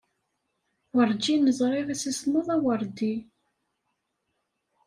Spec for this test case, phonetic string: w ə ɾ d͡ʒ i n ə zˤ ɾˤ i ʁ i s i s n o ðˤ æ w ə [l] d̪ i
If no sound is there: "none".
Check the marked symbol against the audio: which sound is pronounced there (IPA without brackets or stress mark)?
ɾ